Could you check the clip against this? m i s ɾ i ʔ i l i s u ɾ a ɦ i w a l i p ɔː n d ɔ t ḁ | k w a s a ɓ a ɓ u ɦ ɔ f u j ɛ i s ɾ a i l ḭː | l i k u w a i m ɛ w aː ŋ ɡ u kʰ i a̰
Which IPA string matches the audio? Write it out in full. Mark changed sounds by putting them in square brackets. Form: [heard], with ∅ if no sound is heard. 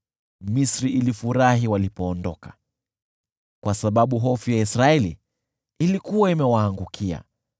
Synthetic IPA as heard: m i s ɾ i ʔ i l i [f] u ɾ a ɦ i w a l i p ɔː n d ɔ [k] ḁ | k w a s a ɓ a ɓ u ɦ ɔ f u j [a] i s ɾ a [ɛ] l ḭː | l i k u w a i m ɛ w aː ŋ ɡ u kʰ i a̰